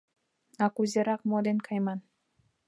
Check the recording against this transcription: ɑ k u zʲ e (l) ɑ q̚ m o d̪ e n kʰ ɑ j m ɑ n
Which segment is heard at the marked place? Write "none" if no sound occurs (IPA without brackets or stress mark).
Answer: ɾ